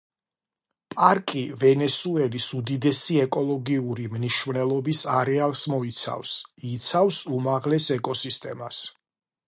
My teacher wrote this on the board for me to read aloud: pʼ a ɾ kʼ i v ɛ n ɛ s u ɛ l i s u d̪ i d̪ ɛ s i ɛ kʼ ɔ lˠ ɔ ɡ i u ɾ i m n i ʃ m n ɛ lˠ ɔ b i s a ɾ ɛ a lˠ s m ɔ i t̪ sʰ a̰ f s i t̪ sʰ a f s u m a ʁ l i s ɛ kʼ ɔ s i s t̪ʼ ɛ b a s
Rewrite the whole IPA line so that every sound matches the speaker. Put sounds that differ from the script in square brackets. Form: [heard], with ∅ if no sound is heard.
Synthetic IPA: pʼ a ɾ kʼ i v ɛ n ɛ s u ɛ l i s u d̪ i d̪ ɛ s i ɛ kʼ ɔ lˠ ɔ ɡ i u ɾ i m n i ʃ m n ɛ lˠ ɔ b i s a ɾ ɛ a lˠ s m ɔ i t̪ sʰ a̰ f s i t̪ sʰ a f s u m a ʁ l [ɛ] s ɛ kʼ ɔ s i s t̪ʼ ɛ [m] a s